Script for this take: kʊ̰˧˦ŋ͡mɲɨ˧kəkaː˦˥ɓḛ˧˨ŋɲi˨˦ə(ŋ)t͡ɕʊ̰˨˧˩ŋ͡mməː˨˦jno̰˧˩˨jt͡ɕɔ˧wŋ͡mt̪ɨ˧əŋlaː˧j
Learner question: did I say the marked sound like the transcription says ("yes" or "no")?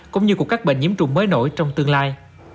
no